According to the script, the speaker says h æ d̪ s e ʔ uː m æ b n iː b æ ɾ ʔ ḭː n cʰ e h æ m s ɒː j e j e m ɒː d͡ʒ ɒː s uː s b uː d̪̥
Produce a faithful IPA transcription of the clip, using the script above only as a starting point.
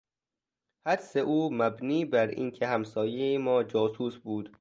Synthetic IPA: h æ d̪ s e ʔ uː m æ b n iː b æ ɾ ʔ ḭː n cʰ e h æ m s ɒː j e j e m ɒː d͡ʒ ɒː s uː s b uː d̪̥